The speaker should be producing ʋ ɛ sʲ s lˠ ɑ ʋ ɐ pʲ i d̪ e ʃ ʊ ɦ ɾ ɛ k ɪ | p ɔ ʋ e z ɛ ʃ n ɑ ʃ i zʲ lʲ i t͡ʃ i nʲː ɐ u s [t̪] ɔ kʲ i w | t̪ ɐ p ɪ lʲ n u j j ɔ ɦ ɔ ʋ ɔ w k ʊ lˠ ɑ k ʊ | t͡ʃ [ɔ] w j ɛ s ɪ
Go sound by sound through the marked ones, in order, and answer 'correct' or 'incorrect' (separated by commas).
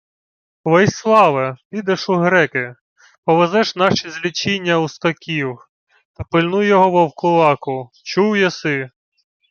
correct, incorrect